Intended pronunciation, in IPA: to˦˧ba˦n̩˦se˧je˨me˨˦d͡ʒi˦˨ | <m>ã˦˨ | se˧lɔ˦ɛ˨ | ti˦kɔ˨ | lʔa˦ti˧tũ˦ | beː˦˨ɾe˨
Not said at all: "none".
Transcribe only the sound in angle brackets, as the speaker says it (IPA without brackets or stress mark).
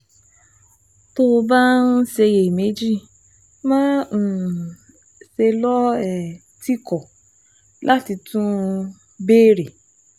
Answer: m